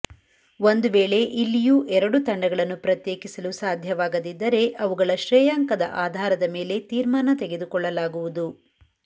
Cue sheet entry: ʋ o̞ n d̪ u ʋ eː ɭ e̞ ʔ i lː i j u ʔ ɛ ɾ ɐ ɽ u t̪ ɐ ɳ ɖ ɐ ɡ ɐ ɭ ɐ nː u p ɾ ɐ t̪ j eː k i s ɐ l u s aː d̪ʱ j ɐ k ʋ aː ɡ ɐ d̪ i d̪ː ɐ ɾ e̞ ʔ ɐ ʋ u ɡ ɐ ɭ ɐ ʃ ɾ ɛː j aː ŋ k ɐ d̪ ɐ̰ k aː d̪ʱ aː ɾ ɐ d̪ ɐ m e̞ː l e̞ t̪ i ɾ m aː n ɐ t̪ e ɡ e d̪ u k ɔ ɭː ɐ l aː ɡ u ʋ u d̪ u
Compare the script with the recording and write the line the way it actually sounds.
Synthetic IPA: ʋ o̞ n d̪ u ʋ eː ɭ e̞ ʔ i lː i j u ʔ ɛ ɾ ɐ ɽ u t̪ ɐ ɳ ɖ ɐ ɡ ɐ ɭ ɐ nː u p ɾ ɐ t̪ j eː k i s ɐ l u s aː d̪ʱ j ɐ ʋ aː ɡ ɐ d̪ i d̪ː ɐ ɾ e̞ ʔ ɐ ʋ u ɡ ɐ ɭ ɐ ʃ ɾ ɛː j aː ŋ k ɐ d̪ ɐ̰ ʔ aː d̪ʱ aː ɾ ɐ d̪ ɐ m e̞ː l e̞ t̪ iː ɾ m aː n ɐ t̪ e ɡ e d̪ u k ɔ ɭː ɐ l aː ɡ u ʋ u d̪ u